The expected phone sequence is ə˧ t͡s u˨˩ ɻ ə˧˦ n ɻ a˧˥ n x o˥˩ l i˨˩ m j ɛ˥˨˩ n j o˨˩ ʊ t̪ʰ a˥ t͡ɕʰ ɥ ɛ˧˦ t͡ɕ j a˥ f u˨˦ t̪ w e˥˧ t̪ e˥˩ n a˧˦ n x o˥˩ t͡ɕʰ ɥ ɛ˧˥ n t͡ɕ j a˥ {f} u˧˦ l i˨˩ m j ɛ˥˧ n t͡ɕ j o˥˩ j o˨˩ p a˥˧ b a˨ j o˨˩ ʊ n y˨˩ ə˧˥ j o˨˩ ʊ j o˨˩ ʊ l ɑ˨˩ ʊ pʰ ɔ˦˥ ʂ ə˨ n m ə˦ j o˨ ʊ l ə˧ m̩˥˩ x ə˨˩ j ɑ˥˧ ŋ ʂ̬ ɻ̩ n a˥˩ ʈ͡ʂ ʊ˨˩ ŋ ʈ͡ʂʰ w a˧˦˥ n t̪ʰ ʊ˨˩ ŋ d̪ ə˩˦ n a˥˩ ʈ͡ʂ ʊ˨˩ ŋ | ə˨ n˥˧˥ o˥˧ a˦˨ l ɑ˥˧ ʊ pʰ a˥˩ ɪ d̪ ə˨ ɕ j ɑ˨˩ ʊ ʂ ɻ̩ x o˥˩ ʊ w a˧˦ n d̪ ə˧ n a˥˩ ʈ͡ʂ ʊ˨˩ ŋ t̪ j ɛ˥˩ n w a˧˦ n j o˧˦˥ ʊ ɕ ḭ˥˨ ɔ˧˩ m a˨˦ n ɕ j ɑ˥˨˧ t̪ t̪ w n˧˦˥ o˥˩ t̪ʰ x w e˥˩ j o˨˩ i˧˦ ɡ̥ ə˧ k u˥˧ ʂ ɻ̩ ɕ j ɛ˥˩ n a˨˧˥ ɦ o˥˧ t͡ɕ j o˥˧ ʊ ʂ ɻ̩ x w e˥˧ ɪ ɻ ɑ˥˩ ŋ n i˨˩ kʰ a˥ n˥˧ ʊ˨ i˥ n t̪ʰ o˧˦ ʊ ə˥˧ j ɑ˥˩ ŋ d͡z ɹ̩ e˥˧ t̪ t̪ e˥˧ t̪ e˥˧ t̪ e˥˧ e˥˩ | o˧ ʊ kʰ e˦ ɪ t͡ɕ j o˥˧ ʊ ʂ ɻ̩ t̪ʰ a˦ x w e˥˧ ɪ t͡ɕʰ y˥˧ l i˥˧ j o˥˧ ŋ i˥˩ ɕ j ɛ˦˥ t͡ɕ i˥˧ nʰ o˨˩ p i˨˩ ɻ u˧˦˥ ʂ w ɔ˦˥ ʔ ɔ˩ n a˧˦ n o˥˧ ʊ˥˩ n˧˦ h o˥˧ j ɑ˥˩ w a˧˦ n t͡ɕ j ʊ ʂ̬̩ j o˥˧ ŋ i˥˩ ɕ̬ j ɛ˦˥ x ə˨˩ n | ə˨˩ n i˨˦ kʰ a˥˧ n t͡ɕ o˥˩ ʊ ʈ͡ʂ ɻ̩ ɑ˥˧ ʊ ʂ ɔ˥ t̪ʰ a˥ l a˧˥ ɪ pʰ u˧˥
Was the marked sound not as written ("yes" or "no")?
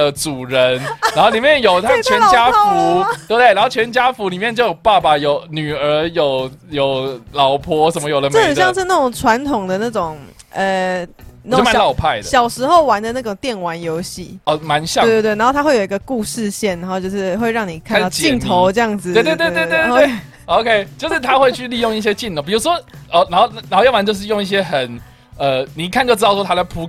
no